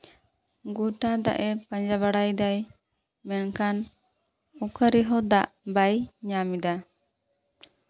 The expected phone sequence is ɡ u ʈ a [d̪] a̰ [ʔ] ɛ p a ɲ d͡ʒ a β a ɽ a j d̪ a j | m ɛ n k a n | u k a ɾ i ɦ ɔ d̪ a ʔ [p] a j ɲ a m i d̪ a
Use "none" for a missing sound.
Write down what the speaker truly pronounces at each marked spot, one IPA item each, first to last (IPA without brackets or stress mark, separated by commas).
d̪, ʔ, b